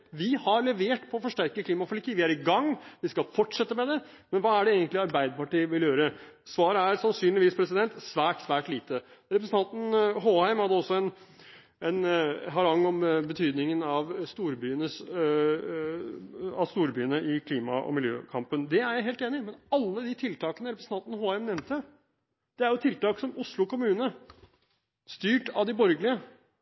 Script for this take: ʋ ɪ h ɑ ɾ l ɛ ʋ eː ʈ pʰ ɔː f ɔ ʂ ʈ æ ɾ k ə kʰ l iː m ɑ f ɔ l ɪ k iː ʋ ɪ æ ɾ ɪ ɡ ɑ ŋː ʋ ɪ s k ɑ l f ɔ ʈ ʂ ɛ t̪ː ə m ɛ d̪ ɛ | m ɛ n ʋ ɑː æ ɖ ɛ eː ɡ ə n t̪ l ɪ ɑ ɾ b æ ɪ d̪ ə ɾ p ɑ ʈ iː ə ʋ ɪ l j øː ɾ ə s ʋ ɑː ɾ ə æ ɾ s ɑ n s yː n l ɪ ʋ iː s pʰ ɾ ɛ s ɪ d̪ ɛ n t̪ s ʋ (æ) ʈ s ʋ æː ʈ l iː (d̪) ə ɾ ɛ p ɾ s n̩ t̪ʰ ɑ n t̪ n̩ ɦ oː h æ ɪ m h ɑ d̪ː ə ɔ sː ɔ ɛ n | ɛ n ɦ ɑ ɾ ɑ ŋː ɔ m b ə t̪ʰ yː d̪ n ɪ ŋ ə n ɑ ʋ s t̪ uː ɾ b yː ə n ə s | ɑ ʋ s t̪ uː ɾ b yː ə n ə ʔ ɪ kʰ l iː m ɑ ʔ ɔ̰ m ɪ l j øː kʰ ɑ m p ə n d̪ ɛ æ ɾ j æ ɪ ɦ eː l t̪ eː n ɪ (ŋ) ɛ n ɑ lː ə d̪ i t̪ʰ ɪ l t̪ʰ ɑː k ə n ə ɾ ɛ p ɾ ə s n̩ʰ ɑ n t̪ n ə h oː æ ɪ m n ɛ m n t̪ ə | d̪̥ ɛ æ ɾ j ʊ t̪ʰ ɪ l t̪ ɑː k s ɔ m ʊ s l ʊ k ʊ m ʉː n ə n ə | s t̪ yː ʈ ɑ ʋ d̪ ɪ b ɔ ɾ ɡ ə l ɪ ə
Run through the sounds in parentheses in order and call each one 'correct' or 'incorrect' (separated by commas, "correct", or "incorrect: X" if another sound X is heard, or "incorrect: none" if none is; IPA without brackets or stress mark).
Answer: incorrect: æː, incorrect: t̪, incorrect: m